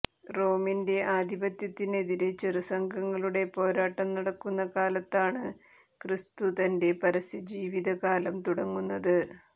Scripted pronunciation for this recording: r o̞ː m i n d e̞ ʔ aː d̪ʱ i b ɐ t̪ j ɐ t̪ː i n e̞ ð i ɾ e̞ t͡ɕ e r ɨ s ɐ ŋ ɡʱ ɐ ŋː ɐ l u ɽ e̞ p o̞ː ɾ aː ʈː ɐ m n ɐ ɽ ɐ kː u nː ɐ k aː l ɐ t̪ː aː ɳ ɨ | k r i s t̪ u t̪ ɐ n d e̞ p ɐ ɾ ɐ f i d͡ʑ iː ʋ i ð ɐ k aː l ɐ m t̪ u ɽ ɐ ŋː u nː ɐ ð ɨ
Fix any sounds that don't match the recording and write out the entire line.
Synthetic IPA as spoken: r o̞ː m i n d e̞ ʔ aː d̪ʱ i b ɐ t̪ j ɐ t̪ː i n e̞ ð i ɾ e̞ t͡ɕ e r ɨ s ɐ ŋ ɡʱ ɐ ŋː ɐ ɭ u ɽ e̞ p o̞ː ɾ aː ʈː ɐ m n ɐ ɽ ɐ kː u nː ɐ k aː l ɐ t̪ː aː ɳ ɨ | k r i s t̪ u t̪ ɐ n d e̞ p ɐ ɾ ɐ s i d͡ʑ iː ʋ i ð ɐ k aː l ɐ m t̪ u ɽ ɐ ŋː u nː ɐ ð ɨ

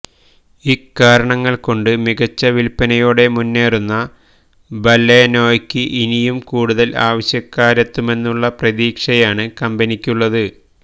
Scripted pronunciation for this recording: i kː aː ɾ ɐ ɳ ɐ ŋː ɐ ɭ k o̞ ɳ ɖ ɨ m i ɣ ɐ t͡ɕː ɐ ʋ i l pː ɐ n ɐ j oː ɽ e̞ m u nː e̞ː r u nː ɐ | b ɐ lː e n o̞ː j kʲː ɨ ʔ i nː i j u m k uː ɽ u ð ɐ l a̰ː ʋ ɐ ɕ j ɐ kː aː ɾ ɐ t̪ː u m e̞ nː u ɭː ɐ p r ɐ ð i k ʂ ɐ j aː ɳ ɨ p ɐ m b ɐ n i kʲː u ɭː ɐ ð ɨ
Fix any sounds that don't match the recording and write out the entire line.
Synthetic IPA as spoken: i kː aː ɾ ɐ ɳ ɐ ŋː ɐ ɭ k o̞ ɳ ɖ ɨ m i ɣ ɐ t͡ɕː ɐ ʋ i l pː ɐ n ɐ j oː ɽ e̞ m u nː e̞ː r u nː ɐ | b ɐ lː e n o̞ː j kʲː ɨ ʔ i n i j u m k uː ɽ u ð ɐ l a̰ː ʋ ɐ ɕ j ɐ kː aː ɾ ɐ t̪ː u m e̞ nː u ɭː ɐ p r ɐ ð iː k ʂ ɐ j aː ɳ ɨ k ɐ m b ɐ n i kʲː u ɭː ɐ ð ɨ

